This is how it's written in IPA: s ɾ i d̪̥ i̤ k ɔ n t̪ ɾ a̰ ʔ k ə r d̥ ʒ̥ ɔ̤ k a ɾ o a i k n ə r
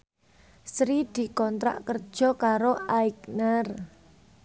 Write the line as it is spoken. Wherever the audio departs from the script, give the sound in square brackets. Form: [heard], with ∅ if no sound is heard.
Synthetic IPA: s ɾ i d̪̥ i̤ k ɔ n t̪ ɾ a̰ ʔ k ə r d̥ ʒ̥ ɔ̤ k a ɾ o a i k n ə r